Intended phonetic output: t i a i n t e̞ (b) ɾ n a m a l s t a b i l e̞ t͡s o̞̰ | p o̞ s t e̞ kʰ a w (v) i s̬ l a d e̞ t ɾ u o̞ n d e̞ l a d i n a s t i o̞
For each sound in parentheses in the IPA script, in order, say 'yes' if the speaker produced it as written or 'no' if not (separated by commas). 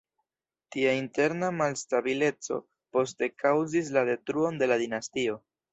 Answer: no, no